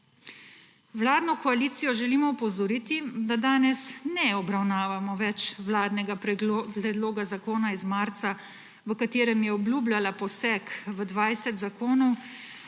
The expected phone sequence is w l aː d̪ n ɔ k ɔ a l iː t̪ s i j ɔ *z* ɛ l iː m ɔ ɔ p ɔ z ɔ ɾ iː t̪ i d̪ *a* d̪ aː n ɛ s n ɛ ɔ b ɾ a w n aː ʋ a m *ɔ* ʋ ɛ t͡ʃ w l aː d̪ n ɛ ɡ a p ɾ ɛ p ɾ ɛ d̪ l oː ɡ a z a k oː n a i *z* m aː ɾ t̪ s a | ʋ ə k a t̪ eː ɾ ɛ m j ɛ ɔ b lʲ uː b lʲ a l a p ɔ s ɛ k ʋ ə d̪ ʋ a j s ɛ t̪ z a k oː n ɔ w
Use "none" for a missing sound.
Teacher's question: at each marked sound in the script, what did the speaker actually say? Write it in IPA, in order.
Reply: ʒ, a, ɔ, z

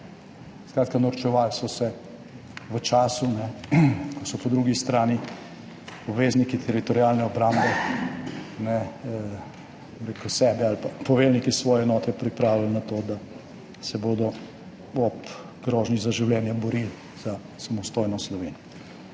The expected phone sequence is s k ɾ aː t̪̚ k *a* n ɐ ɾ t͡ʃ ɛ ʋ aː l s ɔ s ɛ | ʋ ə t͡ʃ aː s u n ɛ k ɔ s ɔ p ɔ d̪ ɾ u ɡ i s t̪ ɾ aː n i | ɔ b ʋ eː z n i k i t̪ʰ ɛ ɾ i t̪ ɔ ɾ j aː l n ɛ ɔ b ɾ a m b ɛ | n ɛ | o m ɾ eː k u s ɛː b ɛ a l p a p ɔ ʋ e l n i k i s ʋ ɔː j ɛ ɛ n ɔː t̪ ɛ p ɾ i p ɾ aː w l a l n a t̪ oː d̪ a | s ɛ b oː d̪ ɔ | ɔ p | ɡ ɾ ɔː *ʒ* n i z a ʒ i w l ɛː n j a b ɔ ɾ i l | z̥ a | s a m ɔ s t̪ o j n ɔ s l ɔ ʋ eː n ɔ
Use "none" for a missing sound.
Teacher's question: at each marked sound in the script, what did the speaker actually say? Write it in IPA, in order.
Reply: a, ʒ

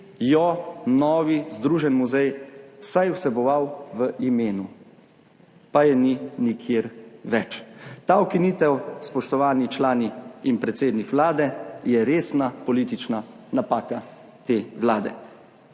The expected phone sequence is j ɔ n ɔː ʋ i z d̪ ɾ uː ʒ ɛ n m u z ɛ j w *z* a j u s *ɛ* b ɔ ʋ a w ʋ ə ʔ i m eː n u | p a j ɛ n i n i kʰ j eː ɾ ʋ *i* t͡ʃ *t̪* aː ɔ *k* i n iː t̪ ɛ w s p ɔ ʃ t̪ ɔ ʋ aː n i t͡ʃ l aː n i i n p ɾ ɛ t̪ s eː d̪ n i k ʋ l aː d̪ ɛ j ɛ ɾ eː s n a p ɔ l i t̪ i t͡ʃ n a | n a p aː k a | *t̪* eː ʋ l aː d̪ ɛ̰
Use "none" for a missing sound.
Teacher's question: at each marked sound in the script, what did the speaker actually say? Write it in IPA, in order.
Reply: s, ɛ, ɛ, t̪, k, t̪

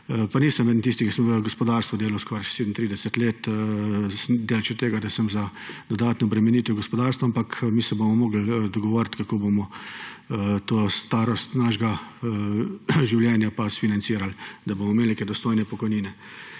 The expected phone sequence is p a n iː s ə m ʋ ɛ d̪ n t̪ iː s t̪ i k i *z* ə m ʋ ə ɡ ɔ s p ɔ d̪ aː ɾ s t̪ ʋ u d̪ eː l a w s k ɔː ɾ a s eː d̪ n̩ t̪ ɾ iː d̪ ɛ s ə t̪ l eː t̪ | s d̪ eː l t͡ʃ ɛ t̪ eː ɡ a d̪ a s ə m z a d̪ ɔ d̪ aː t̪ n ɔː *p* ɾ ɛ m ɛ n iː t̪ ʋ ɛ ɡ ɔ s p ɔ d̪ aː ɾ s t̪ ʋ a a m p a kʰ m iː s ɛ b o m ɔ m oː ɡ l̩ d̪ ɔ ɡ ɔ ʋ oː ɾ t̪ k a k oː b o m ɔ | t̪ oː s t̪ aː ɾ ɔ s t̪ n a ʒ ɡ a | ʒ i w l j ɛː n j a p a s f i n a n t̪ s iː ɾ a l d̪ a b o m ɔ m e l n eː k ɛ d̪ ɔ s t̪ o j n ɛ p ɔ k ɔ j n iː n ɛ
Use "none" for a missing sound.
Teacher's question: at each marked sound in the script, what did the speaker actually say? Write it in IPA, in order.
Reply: s, b

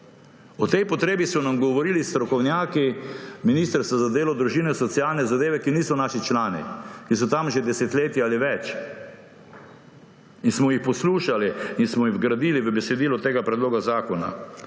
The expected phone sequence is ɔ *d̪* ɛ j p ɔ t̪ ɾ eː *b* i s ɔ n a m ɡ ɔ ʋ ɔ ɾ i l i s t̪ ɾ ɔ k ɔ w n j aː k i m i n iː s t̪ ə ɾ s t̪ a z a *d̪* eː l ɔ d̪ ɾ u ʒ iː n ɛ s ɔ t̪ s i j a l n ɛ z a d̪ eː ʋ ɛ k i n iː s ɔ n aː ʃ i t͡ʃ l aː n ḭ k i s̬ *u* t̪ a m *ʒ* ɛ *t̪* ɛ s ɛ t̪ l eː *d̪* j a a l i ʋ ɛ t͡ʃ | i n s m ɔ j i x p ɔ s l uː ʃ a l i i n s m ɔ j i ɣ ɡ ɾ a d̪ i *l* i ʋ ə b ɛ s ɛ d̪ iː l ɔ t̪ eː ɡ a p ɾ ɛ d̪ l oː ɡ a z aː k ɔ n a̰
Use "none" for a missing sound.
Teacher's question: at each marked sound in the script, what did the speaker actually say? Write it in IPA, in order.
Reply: t̪, b, d̪, ɔ, ʒ, d̪, t̪, l

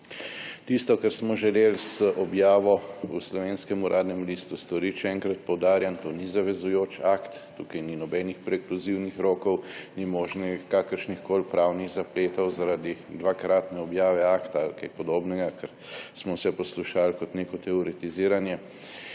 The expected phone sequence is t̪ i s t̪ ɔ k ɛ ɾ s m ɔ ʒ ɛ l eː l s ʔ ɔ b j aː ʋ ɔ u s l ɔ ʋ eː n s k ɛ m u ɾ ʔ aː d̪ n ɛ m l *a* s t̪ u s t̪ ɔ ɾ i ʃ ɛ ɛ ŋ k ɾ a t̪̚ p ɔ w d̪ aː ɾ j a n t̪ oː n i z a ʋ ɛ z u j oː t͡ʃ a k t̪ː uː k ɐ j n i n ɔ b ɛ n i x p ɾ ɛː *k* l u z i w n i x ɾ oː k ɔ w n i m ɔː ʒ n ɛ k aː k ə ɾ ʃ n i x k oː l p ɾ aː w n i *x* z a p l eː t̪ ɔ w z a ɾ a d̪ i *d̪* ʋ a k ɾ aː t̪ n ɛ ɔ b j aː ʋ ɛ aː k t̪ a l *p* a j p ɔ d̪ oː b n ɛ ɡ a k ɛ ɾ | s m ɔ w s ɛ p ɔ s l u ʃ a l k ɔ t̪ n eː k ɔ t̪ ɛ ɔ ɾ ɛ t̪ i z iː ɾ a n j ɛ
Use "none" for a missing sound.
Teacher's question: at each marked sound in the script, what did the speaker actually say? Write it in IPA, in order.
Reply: i, k, ɣ, d̪, k

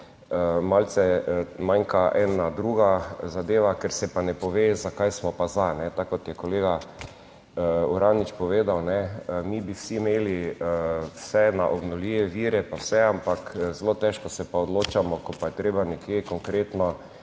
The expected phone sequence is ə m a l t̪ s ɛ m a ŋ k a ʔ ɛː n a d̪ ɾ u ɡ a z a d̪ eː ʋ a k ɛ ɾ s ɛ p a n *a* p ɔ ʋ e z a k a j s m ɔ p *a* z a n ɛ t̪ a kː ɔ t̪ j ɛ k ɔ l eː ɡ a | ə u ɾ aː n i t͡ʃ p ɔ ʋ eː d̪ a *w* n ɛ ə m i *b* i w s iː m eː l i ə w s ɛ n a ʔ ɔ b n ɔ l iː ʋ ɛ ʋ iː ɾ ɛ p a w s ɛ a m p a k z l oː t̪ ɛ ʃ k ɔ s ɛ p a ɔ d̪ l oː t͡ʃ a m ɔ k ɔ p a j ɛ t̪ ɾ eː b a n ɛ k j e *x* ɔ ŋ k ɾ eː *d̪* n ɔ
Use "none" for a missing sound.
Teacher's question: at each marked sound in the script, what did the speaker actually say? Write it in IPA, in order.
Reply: ɛ, a, w, b, k, t̪

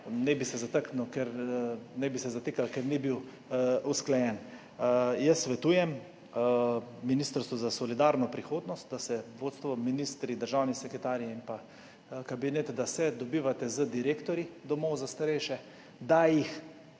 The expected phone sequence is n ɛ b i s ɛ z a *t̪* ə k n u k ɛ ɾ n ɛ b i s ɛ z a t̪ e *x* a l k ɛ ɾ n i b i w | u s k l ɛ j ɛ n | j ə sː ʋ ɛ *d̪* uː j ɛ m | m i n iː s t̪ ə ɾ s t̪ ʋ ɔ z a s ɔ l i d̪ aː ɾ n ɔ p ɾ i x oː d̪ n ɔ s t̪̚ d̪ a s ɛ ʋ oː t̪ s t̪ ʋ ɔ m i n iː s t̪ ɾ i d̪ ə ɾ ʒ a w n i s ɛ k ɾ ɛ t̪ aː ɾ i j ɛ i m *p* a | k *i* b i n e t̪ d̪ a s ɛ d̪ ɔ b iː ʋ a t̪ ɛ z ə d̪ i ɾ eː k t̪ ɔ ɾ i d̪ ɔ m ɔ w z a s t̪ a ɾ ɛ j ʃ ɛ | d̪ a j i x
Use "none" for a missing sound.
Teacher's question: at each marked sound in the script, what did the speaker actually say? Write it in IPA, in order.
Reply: t̪, k, t̪, p, a

